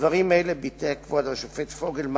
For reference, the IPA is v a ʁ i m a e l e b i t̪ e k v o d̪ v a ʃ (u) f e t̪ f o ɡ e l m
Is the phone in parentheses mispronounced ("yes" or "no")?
yes